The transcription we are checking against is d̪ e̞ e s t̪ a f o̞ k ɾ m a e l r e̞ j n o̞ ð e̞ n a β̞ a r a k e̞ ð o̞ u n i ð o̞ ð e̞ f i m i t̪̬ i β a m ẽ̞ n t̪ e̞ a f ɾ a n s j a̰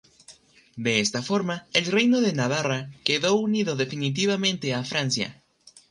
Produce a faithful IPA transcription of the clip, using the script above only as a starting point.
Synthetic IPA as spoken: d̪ e̞ e s t̪ a f o̞ ɾ m a e l r e̞ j n o̞ ð e̞ n a β̞ a r a k e̞ ð o̞ u n i ð o̞ ð e̞ f i n i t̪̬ i β a m ẽ̞ n t̪ e̞ a f ɾ a n s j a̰